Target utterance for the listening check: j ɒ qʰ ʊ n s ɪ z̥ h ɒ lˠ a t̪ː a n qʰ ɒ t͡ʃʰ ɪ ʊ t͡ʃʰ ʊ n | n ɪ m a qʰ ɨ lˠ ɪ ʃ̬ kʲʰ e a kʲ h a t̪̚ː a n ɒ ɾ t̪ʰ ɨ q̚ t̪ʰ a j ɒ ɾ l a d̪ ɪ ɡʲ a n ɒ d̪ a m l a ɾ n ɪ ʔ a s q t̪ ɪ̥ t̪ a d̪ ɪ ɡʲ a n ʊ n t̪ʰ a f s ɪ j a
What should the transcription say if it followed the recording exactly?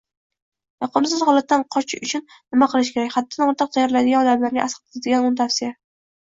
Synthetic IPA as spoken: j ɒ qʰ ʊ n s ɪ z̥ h ɒ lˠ a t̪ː a n qʰ ɒ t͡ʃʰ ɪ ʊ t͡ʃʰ ʊ n | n ɪ m a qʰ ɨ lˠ ɪ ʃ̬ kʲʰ e a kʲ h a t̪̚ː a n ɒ ɾ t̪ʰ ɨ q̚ t̪ʰ a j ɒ ɾ l a d̪ ɪ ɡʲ a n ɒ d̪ a m l a ɾ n ɪ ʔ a s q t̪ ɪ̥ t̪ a d̪ ɪ ɡʲ a n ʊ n t̪ʰ a f s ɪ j a